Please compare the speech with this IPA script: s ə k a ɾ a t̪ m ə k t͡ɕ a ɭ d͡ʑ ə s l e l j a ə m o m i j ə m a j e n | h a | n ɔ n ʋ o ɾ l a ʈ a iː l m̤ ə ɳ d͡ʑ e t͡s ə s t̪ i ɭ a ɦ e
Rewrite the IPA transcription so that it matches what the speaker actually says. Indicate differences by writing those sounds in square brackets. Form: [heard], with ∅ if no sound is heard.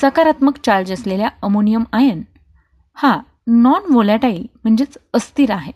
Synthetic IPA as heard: s ə k a ɾ a t̪ m ə k t͡ɕ a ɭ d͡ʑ ə s l e l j a ə m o [n] i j ə m a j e n | h a | n ɔ n ʋ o [∅] l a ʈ a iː l m̤ ə ɳ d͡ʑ e t͡s ə s t̪ i [ɾ] a ɦ e